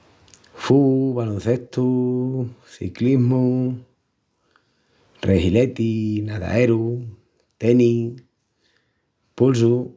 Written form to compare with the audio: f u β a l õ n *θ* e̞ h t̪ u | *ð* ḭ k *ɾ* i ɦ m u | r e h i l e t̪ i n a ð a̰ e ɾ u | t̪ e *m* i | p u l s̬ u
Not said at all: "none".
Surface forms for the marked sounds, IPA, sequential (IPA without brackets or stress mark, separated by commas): θ, θ, l, n